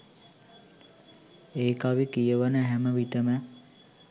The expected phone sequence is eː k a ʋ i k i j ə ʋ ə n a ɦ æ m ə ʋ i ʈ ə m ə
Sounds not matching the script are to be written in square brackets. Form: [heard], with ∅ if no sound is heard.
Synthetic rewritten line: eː k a ʋ i k i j ə ʋ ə n [ə] ɦ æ m ə ʋ i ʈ ə m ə